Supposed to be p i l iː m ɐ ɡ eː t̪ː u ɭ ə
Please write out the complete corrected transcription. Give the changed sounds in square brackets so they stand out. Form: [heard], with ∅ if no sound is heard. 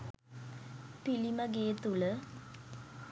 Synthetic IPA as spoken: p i l [i] m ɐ ɡ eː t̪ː u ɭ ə